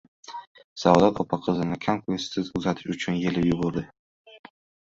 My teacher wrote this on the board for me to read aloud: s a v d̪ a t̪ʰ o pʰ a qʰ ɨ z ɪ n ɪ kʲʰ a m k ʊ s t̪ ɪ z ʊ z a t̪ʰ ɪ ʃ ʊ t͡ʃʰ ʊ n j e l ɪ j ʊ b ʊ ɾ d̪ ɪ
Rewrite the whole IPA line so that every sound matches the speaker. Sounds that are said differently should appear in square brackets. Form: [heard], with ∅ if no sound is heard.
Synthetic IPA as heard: s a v d̪ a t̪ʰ [ɒ] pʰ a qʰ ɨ z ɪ n ɪ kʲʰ a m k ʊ s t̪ ɪ z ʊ z a t̪ʰ ɪ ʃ ʊ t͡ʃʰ ʊ n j e l ɪ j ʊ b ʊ ɾ d̪ ɪ

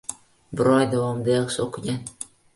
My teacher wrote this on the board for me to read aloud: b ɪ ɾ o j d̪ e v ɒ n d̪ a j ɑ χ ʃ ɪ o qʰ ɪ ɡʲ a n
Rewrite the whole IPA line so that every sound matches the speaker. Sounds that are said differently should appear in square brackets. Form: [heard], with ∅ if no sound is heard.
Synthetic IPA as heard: b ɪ ɾ [ɒ] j d̪ [a] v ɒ [m] d̪ a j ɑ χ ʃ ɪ o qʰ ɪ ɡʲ a n

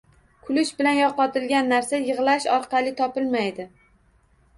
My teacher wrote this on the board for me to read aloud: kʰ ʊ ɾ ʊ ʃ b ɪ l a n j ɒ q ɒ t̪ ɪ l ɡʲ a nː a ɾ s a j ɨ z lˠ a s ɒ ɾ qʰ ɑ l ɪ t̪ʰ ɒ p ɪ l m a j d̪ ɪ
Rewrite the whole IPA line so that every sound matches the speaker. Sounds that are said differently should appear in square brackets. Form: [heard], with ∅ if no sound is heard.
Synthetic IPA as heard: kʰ ʊ [l] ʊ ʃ b ɪ l a n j ɒ q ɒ t̪ ɪ l ɡʲ a nː a ɾ s a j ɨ [ʁ] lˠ a [ʃ] ɒ ɾ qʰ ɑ l ɪ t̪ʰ ɒ p ɪ l m a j d̪ ɪ

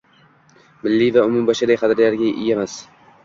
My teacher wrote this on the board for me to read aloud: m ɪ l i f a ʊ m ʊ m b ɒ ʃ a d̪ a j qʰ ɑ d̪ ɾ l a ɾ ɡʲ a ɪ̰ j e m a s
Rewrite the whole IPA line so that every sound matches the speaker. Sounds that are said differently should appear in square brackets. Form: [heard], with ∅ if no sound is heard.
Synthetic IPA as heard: m ɪ [lː] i [v] a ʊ m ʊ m b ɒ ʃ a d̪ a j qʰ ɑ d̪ ɾ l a ɾ ɡʲ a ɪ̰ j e m a s

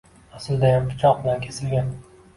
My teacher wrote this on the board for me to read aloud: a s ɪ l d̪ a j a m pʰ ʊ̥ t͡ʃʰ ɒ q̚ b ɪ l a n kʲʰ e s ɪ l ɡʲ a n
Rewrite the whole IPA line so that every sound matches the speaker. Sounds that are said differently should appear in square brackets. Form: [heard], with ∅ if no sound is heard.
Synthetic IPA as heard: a s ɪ l d̪ a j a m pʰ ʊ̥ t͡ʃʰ ɒ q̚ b ɪ l a n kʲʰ e s ɪ l ɡʲ a n

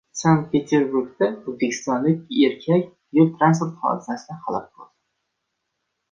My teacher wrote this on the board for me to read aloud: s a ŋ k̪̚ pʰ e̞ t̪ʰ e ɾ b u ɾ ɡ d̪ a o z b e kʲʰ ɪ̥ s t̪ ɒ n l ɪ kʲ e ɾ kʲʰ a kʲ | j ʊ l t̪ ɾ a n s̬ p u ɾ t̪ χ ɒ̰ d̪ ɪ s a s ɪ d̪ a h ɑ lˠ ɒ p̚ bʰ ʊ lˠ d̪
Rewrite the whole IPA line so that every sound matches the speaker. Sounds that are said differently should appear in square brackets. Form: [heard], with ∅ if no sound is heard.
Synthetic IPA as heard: s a ŋ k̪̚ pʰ e̞ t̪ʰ e ɾ b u ɾ ɡ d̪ a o z b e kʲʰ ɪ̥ s t̪ ɒ n l ɪ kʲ e ɾ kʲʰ a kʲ | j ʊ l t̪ ɾ a n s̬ p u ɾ t̪ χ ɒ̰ d̪ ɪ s a s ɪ d̪ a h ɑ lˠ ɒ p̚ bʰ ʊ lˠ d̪

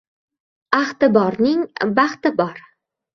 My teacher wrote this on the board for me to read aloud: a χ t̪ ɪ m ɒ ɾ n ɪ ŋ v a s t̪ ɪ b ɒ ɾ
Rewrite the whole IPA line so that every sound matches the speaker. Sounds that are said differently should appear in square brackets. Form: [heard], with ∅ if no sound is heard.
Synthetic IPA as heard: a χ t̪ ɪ [b] ɒ ɾ n ɪ ŋ [b] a [χ] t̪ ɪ b ɒ ɾ

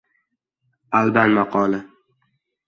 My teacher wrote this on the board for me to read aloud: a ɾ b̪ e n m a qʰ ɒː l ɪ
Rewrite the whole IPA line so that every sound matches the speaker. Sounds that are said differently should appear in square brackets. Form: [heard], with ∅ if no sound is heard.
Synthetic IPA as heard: a [l] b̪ [a] n m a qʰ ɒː l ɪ

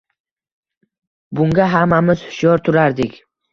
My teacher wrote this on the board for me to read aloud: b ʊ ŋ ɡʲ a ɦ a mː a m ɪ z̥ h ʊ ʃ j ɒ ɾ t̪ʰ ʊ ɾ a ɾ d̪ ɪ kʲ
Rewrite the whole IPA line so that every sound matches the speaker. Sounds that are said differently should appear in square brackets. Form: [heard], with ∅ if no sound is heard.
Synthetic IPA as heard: b ʊ ŋ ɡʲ a ɦ a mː a m ɪ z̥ h ʊ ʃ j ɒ ɾ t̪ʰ ʊ ɾ a ɾ d̪ ɪ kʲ

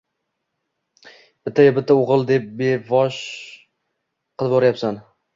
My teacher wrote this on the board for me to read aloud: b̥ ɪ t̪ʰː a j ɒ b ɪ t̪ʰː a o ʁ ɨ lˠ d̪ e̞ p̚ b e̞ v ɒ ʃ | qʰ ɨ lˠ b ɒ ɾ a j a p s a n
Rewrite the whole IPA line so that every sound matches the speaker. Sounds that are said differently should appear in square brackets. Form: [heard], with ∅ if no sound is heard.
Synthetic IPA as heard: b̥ ɪ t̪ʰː a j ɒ b ɪ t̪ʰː a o ʁ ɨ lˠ d̪ e̞ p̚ b e̞ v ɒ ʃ | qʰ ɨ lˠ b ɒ ɾ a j a p s a n

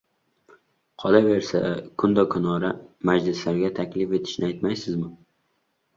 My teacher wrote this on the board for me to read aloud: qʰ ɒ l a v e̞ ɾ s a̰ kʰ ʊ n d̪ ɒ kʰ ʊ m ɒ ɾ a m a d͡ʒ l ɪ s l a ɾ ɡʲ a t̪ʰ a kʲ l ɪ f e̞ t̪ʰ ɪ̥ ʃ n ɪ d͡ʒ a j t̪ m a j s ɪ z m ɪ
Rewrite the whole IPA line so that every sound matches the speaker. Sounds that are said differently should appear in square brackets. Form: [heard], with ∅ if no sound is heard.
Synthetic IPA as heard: qʰ ɒ l a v e̞ ɾ s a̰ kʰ ʊ n d̪ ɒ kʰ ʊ [n] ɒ ɾ a m a d͡ʒ l ɪ s l a ɾ ɡʲ a t̪ʰ a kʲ l ɪ f e̞ t̪ʰ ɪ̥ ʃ n ɪ [∅] a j t̪ m a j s ɪ z m ɪ

